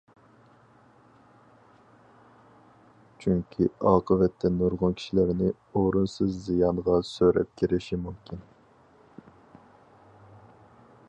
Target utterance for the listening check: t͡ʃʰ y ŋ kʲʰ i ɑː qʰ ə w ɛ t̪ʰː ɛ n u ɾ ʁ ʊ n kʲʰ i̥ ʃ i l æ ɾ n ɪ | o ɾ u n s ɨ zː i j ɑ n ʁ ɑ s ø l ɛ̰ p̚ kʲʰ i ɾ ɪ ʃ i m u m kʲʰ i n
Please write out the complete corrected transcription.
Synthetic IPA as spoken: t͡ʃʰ y ŋ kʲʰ i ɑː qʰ ə v ɛ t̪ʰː ɛ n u ɾ ʁ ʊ n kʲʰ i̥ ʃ i l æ ɾ n ɪ | o ɾ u n s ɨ zː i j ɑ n ʁ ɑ s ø ɾ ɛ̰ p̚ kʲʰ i ɾ ɪ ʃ i m u m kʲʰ i n

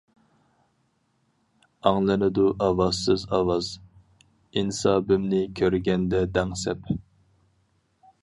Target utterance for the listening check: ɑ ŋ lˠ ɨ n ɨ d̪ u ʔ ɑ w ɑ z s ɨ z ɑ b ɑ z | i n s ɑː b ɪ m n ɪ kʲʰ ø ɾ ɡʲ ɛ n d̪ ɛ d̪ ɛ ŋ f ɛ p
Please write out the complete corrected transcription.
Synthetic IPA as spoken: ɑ ŋ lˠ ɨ n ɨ d̪ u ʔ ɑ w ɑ z s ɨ z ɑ w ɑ z | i n s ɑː b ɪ m n ɪ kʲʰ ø ɾ ɡʲ ɛ n d̪ ɛ d̪ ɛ ŋ s ɛ p

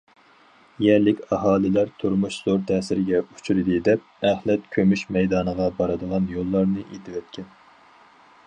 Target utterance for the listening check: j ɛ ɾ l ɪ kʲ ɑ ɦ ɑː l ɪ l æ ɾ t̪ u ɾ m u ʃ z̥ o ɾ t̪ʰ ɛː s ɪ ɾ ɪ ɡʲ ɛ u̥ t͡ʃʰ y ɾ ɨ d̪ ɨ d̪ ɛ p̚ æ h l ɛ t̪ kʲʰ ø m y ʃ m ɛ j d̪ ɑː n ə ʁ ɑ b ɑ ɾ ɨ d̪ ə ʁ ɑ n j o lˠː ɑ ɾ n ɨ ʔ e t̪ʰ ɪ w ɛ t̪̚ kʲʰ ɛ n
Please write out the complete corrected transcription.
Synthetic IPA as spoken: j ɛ ɾ l ɪ kʲ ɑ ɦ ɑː l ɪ l æ ɾ t̪ʰ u ɾ m u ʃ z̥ o ɾ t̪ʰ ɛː s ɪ ɾ ɪ ɡʲ ɛ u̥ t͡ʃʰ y ɾ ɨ d̪ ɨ d̪ ɛ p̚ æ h l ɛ t̪ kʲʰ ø m y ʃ m ɛ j d̪ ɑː n ə ʁ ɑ b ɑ ɾ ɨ d̪ ə ʁ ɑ n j o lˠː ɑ ɾ n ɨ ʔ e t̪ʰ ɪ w ɛ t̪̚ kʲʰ ɛ n

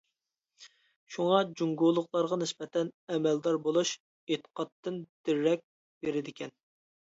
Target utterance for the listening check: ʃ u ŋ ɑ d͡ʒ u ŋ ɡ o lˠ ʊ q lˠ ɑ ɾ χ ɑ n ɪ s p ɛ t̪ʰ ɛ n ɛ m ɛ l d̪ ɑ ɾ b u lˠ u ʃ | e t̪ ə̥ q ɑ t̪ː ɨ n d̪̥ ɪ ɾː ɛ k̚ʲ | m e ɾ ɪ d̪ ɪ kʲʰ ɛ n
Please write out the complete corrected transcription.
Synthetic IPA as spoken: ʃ u ŋ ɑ d͡ʒ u ŋ ɡ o lˠ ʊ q lˠ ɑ ɾ ʁ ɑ n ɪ s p ɛ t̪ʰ ɛ n ɛ m ɛ l d̪ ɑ ɾ b o lˠ u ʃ | e t̪ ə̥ q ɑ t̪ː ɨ n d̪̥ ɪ ɾː ɛ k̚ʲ | b e ɾ ɪ d̪ ɪ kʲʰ ɛ n

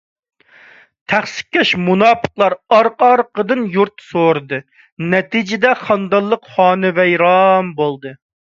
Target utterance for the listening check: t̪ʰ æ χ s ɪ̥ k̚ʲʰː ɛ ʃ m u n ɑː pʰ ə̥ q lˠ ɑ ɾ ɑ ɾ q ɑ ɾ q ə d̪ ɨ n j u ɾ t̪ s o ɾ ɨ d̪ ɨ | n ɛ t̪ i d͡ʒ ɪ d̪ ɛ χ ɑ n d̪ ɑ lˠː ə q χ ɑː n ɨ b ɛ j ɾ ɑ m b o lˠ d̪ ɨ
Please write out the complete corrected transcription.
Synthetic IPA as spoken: t̪ʰ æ χ s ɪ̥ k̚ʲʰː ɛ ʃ m u n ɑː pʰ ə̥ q lˠ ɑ ɾ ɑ ɾ q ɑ ɾ q ə d̪ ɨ n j u ɾ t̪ s o ɾ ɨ d̪ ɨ | n ɛ t̪ i d͡ʒ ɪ d̪ ɛ χ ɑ n d̪ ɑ lˠː ə q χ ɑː n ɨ v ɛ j ɾ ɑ m b o lˠ d̪ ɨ

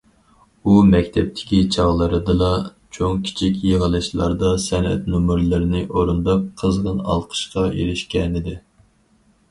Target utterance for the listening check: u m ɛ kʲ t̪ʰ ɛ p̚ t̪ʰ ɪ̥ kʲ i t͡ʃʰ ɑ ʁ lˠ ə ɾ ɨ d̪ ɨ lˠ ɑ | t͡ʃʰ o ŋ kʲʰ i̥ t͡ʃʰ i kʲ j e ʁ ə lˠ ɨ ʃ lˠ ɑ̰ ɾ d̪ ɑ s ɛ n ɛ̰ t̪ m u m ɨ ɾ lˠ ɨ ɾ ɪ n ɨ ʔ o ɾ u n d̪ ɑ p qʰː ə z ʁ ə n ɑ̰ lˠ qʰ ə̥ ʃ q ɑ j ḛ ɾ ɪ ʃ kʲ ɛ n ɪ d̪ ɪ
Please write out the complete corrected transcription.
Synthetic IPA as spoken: u m ɛ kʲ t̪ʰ ɛ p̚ t̪ʰ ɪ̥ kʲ i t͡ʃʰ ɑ ʁ lˠ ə ɾ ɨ d̪ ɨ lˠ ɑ | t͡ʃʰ o ŋ kʲʰ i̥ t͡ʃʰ i kʲ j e ʁ ə lˠ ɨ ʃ lˠ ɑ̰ ɾ d̪ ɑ s ɛ n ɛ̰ t̪ n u m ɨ ɾ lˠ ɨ ɾ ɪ n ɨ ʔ o ɾ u n d̪ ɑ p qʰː ə z ʁ ə n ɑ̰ lˠ qʰ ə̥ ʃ q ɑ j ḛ ɾ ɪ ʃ kʲ ɛ n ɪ d̪ ɪ

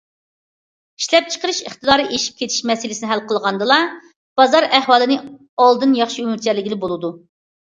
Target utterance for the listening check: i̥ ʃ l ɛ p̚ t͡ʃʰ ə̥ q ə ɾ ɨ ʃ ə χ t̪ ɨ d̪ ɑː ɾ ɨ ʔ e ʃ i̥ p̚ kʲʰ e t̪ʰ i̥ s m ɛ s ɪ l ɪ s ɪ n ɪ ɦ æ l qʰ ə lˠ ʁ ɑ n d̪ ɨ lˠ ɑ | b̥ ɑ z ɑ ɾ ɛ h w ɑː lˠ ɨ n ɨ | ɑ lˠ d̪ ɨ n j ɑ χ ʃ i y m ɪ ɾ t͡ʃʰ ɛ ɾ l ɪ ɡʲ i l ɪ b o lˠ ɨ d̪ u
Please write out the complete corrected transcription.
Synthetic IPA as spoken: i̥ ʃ l ɛ p̚ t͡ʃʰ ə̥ q ə ɾ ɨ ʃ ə χ t̪ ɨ d̪ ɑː ɾ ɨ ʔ e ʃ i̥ p̚ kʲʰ e t̪ʰ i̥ ʃ m ɛ s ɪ l ɪ s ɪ n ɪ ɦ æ l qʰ ə lˠ ʁ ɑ n d̪ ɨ lˠ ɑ | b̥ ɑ z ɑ ɾ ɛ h w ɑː lˠ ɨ n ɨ | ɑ lˠ d̪ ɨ n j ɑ χ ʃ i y m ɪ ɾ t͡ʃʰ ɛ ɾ l ɪ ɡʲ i l ɪ b o lˠ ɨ d̪ u

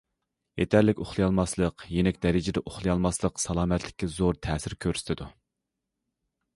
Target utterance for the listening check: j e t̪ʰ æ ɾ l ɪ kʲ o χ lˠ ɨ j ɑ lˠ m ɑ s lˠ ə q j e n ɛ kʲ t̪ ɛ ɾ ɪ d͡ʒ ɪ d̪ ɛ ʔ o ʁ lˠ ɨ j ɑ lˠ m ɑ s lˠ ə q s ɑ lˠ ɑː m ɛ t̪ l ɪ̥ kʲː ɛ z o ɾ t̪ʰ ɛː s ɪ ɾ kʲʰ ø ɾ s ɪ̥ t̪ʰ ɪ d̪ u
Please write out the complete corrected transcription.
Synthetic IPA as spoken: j e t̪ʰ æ ɾ l ɪ kʲ o χ lˠ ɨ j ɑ lˠ m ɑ s lˠ ə q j e n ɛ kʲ d̪ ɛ ɾ ɪ d͡ʒ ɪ d̪ ɛ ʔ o χ lˠ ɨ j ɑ lˠ m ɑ s lˠ ə q s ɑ lˠ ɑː m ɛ t̪ l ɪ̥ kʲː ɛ z o ɾ t̪ʰ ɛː s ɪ ɾ kʲʰ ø ɾ s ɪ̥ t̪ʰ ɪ d̪ u

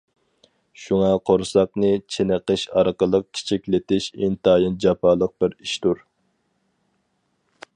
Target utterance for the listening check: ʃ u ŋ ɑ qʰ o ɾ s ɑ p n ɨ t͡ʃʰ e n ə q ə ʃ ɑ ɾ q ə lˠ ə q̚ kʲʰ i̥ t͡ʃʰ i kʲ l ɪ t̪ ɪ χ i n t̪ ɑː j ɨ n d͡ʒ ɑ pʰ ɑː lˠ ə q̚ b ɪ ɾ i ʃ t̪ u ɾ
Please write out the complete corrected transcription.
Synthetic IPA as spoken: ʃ u ŋ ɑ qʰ o ɾ s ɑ q n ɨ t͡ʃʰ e n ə q ə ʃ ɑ ɾ q ə lˠ ə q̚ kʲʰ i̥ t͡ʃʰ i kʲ l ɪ t̪ ɪ ʃ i n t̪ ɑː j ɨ n d͡ʒ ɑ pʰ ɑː lˠ ə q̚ b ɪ ɾ i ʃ t̪ u ɾ

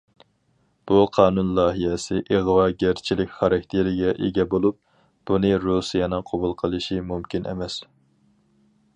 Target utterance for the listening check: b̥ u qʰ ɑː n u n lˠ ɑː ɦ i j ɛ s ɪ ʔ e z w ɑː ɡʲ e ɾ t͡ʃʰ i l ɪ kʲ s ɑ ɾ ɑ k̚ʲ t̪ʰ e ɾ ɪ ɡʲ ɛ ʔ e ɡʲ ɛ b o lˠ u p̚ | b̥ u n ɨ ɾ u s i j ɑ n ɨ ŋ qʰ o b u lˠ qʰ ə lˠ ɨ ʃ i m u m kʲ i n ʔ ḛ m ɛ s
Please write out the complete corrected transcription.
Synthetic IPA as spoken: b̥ u qʰ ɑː n u n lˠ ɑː ɦ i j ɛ s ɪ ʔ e ʁ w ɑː ɡʲ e ɾ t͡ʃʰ i l ɪ kʲ χ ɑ ɾ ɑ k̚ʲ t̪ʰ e ɾ ɪ ɡʲ ɛ ʔ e ɡʲ ɛ b o lˠ u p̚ | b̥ u n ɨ ɾ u s i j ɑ n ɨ ŋ qʰ o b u lˠ qʰ ə lˠ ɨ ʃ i m u m kʲ i n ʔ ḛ m ɛ s

